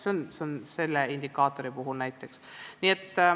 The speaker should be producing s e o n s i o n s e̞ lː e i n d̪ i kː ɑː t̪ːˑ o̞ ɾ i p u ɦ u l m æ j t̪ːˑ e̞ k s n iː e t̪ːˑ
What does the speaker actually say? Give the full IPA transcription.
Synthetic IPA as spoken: s e o n s e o n s e̞ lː e i n d̪ i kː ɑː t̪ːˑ o̞ ɾ i p u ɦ u l n æ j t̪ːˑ e̞ k s n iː e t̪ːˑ